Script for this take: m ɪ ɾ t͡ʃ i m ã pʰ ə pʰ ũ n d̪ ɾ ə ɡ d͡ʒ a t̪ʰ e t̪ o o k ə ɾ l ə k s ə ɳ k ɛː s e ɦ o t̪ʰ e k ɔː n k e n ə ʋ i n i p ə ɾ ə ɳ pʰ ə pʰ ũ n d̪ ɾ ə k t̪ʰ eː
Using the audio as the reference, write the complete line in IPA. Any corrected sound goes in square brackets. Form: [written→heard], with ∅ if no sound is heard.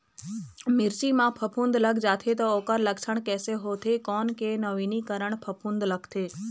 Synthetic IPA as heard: m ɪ ɾ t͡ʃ i m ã pʰ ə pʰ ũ n d̪ [ɾ→l] ə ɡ d͡ʒ a t̪ʰ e t̪ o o k ə ɾ l ə k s ə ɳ k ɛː s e ɦ o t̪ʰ e k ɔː n k e n ə ʋ i n i [p→k] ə ɾ ə ɳ pʰ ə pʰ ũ n d̪ [ɾ→l] ə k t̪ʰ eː